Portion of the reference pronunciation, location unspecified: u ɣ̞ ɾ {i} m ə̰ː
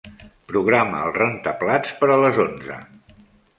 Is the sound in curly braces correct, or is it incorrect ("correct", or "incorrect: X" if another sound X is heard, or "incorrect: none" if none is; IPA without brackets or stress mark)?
incorrect: a